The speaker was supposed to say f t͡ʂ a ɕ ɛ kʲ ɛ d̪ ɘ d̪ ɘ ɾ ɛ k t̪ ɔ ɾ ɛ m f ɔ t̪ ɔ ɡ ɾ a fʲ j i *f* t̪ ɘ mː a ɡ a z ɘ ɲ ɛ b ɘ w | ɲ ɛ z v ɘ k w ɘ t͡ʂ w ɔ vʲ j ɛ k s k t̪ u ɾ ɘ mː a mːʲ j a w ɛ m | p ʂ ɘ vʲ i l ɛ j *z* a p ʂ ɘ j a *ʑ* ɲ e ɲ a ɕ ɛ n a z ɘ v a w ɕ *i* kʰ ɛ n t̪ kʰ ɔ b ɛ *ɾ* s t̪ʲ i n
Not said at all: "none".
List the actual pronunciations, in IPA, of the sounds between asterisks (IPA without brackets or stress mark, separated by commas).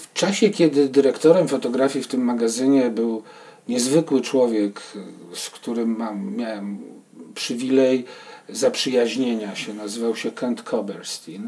f, z, ʑ, ɛ, ɾ